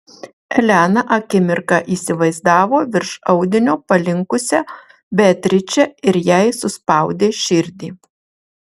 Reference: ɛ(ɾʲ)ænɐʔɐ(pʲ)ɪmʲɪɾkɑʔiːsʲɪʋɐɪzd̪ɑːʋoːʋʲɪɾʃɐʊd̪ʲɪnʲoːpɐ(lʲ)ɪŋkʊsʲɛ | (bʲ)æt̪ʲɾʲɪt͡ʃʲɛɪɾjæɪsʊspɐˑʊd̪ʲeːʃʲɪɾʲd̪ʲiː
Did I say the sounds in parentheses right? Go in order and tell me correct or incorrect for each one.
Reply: incorrect: lʲ, incorrect: kʲ, correct, correct

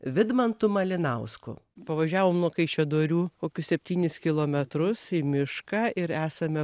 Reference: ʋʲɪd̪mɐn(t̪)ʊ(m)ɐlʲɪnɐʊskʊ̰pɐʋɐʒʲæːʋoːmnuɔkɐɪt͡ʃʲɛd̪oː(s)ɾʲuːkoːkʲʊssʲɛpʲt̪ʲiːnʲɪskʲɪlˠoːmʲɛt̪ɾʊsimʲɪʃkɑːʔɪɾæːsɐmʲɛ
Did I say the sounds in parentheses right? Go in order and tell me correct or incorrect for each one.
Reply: correct, correct, incorrect: none

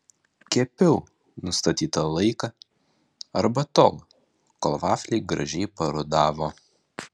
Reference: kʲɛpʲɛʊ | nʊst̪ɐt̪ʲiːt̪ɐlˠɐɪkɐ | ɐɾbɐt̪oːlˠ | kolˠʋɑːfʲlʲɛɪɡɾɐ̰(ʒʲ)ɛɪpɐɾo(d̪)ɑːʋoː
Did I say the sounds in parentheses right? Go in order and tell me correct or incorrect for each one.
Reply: correct, correct

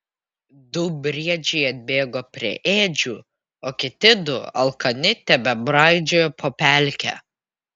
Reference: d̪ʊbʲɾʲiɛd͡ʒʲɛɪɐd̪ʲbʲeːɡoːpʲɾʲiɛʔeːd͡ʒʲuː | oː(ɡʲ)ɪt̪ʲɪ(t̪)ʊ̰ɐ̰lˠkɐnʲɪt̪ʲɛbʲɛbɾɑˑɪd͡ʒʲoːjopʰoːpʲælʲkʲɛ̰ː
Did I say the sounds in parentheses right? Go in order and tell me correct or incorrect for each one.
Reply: incorrect: kʲ, incorrect: d̪

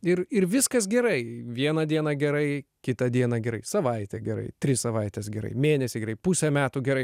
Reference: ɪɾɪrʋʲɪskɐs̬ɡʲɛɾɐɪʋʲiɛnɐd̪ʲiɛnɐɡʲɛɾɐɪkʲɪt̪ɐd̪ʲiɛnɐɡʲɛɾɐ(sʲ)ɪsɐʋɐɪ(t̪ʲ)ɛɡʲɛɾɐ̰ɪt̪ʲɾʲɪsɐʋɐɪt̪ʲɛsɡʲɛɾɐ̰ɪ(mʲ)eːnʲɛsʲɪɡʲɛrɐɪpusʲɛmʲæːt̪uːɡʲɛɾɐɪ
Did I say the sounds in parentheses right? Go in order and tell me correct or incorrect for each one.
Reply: incorrect: none, correct, correct

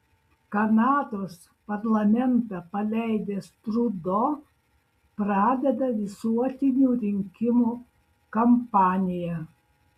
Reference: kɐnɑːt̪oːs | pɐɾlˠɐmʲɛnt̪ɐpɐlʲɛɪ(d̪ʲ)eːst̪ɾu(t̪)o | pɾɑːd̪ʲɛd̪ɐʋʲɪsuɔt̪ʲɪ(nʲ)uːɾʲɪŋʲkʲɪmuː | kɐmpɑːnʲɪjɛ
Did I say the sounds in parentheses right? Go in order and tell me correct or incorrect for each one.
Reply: correct, incorrect: d̪, correct

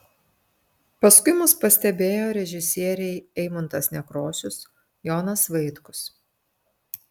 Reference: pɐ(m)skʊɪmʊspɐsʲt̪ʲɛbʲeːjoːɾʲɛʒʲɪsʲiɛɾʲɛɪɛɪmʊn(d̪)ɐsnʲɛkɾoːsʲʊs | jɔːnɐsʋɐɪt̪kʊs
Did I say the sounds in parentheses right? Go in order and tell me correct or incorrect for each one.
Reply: incorrect: none, incorrect: t̪

